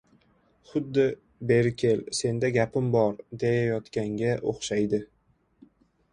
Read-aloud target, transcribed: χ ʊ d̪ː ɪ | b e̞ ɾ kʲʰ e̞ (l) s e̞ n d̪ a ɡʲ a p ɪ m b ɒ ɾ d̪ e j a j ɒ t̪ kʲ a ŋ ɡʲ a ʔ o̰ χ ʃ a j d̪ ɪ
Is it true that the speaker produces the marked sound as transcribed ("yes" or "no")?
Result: yes